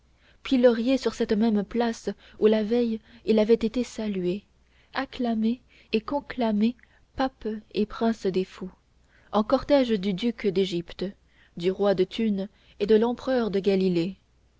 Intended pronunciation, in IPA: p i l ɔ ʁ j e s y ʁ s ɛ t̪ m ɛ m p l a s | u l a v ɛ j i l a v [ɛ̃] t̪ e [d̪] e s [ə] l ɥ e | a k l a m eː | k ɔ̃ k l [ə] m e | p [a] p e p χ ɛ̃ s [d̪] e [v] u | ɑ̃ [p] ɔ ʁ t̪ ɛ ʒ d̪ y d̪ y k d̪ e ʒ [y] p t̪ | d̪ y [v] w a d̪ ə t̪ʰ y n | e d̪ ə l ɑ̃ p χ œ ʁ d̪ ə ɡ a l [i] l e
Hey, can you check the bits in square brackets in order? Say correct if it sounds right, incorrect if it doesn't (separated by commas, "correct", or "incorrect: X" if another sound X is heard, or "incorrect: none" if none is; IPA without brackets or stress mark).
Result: incorrect: ɛ, incorrect: t̪, incorrect: a, incorrect: a, correct, correct, incorrect: f, incorrect: k, incorrect: i, incorrect: ʁ, correct